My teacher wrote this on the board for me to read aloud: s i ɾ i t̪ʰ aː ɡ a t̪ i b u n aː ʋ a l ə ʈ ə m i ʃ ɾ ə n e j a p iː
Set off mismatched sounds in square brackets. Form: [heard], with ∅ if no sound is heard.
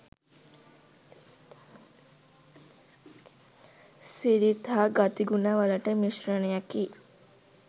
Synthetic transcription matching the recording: s i ɾ i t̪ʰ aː ɡ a t̪ i [ɡ] u n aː ʋ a l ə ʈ ə m i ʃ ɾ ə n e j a [k] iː